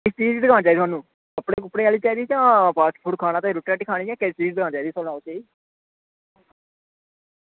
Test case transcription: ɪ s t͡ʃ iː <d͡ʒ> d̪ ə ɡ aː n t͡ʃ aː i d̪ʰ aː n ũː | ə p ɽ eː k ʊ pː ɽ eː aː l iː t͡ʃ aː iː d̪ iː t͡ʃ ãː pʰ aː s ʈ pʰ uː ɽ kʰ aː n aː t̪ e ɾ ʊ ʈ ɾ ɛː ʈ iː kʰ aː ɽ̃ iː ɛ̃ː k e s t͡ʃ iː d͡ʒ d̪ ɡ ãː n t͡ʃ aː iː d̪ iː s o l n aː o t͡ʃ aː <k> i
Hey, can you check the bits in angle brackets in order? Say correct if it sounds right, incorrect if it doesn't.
correct, incorrect: none

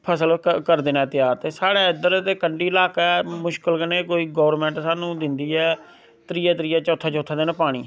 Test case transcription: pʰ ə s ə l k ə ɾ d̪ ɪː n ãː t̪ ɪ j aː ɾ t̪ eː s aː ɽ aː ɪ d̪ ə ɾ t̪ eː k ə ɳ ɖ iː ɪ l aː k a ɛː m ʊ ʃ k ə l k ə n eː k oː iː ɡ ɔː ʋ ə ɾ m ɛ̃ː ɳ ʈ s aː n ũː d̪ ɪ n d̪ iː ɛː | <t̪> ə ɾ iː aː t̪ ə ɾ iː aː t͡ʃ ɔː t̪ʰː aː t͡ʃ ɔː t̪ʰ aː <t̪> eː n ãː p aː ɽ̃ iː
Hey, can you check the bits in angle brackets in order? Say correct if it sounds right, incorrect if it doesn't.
correct, incorrect: d̪

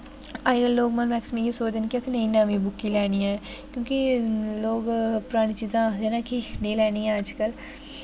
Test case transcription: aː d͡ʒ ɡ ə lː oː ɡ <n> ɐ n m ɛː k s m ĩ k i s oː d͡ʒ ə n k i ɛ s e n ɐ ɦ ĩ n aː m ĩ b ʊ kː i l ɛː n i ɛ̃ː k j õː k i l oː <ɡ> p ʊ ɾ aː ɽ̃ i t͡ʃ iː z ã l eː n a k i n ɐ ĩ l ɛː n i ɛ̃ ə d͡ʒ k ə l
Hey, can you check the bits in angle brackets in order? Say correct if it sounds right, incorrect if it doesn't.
incorrect: m, correct

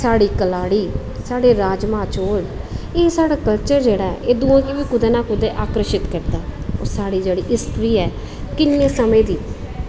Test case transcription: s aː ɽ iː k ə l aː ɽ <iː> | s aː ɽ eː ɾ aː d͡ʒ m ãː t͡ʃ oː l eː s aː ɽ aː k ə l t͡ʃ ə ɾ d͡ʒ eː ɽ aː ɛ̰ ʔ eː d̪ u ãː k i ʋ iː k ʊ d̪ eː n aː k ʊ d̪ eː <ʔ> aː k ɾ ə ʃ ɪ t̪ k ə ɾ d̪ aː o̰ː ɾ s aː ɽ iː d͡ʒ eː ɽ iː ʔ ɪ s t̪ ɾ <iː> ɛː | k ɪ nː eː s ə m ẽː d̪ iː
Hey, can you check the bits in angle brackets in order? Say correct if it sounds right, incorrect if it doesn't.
correct, correct, correct

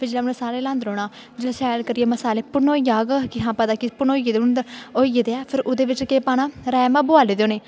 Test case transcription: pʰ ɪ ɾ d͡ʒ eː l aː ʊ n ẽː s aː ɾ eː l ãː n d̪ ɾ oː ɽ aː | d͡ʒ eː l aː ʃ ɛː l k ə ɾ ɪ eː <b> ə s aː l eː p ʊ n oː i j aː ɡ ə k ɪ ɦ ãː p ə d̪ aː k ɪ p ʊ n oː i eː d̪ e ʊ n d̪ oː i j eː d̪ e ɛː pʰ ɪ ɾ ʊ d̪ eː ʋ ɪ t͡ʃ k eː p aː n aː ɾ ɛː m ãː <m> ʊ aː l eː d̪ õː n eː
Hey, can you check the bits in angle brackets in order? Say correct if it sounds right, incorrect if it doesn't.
incorrect: m, incorrect: b

